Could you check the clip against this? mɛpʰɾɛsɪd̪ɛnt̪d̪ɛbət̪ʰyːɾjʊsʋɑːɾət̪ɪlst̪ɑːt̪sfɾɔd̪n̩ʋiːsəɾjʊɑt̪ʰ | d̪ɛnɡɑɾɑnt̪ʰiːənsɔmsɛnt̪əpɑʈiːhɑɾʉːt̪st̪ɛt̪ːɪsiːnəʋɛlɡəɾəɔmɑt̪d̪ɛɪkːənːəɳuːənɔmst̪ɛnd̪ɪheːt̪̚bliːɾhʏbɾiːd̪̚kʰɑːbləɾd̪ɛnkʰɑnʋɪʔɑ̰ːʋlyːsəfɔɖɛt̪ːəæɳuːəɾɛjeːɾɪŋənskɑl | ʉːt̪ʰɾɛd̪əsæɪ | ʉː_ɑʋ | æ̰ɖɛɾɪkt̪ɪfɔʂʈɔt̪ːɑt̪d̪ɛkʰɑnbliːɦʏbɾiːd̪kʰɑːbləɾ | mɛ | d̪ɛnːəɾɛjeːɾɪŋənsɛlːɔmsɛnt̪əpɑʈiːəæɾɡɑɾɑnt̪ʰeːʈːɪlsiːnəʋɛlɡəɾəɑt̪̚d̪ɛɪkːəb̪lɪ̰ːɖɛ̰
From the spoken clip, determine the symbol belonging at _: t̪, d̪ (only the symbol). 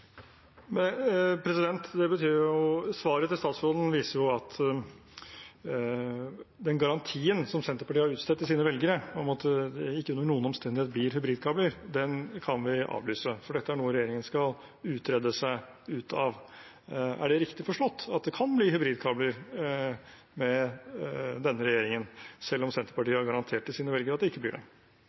t̪